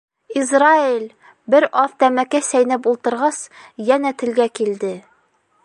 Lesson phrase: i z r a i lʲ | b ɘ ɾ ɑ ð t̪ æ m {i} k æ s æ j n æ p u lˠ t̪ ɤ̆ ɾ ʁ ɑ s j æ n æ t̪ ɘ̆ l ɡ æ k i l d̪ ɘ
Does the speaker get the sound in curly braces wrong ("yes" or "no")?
yes